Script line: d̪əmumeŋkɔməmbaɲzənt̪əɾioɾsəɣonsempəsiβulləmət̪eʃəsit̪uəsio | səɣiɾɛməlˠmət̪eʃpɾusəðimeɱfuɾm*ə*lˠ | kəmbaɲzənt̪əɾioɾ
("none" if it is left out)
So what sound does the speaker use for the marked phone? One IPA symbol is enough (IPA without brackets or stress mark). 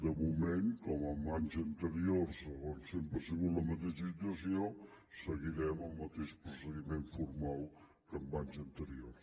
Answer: a